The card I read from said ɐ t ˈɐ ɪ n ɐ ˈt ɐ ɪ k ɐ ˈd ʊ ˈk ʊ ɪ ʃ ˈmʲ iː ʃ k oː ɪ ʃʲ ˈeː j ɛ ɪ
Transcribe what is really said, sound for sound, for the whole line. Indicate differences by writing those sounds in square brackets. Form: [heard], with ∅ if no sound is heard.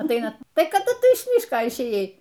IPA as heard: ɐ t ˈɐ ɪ n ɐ ˈt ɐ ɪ k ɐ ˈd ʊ [ˈt] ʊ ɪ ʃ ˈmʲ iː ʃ k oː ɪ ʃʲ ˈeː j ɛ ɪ